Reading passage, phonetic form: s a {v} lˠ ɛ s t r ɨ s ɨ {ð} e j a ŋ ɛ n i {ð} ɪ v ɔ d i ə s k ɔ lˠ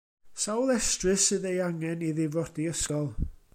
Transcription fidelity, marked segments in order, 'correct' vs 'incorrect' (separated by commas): incorrect, correct, correct